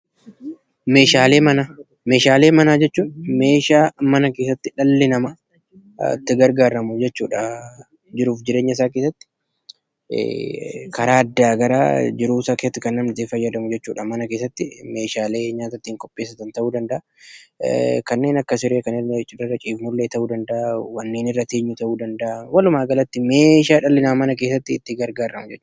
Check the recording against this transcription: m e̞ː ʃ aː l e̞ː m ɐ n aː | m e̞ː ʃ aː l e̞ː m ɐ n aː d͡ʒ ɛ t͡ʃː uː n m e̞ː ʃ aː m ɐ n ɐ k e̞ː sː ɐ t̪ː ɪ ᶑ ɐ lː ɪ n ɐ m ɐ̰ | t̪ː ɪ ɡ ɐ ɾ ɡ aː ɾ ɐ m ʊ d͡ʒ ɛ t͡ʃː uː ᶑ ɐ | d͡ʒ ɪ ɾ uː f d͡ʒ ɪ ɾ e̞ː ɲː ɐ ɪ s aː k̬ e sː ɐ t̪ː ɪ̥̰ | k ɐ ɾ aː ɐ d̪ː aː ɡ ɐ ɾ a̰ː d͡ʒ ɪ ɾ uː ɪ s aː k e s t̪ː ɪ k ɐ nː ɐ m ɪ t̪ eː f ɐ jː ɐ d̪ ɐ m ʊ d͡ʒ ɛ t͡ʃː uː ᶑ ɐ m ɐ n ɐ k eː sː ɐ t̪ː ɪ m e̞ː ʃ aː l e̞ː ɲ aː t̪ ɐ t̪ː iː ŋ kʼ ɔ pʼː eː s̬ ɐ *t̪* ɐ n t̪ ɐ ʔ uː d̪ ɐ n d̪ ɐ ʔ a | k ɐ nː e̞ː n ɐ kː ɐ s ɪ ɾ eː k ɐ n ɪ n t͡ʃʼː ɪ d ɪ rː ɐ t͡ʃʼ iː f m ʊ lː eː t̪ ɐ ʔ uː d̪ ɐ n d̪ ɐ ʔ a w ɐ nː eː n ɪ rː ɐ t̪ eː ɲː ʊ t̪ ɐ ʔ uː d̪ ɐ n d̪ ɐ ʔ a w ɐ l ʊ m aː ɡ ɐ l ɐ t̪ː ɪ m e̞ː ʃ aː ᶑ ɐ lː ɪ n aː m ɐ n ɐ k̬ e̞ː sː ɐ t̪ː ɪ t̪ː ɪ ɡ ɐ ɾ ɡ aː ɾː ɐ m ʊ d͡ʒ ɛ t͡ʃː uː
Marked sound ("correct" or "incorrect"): correct